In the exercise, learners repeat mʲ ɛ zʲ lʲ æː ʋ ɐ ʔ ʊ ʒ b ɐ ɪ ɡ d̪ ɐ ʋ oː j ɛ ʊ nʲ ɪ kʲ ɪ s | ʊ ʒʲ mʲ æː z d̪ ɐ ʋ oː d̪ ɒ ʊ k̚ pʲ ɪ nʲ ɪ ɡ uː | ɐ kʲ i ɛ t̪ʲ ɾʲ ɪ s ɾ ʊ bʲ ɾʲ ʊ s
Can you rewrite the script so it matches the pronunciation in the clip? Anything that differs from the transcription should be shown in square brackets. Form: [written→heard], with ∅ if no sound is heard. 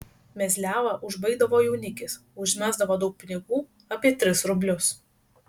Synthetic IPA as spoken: mʲ ɛ zʲ lʲ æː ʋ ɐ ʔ ʊ ʒ b ɐ ɪ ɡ d̪ ɐ ʋ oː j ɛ ʊ nʲ ɪ kʲ ɪ s | ʊ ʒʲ mʲ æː z d̪ ɐ ʋ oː d̪ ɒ ʊ k̚ pʲ ɪ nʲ ɪ ɡ uː | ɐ [kʲ→pʲ] i ɛ t̪ʲ ɾʲ ɪ s ɾ ʊ bʲ [ɾʲ→lʲ] ʊ s